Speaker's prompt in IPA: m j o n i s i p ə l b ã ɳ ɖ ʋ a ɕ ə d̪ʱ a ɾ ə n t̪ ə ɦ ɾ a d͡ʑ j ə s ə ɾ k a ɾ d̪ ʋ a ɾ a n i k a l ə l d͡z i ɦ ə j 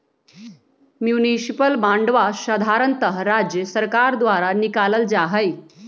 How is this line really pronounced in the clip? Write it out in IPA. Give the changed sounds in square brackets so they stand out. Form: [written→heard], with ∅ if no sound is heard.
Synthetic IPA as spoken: m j [o→u] n i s i p ə l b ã ɳ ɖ ʋ a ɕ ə d̪ʱ a ɾ ə n t̪ ə ɦ ɾ a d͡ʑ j ə s ə ɾ k a ɾ d̪ ʋ a ɾ a n i k a l ə l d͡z [i→a] ɦ ə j